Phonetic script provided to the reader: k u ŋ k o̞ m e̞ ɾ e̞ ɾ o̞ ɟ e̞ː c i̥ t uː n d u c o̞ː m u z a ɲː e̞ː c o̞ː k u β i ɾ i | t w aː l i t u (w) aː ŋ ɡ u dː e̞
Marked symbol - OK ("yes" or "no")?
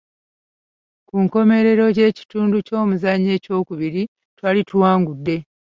yes